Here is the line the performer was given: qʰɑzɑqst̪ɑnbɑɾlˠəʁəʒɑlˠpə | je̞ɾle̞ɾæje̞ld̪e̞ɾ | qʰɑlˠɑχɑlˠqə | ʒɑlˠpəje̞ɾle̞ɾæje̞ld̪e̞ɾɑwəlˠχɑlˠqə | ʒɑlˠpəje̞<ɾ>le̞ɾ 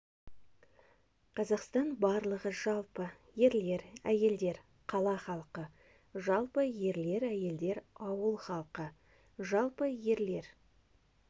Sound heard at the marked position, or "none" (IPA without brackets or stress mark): ɾ